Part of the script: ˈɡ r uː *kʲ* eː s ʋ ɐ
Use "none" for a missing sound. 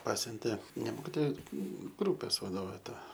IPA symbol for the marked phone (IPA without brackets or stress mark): pʲ